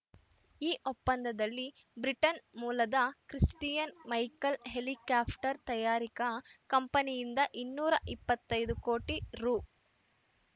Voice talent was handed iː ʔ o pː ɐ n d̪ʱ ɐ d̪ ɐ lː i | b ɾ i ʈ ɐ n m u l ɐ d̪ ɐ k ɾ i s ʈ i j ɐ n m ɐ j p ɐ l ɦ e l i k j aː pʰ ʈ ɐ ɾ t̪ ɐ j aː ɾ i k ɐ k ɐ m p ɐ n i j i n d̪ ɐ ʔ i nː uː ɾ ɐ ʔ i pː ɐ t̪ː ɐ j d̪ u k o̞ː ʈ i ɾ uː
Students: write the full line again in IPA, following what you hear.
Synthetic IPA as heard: iː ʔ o pː ɐ n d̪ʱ ɐ d̪ ɐ lː i | b ɾ i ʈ ɐ n m uː l ɐ d̪ ɐ k ɾ i s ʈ i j ɐ n m ɐ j k ɐ l ɦ e l i k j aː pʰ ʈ ɐ ɾ t̪ ɐ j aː ɾ i k ɐ k ɐ m p ɐ n i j i n d̪ ɐ ʔ i nː uː ɾ ɐ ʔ i pː ɐ t̪ː ɐ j d̪ u k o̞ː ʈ i ɾ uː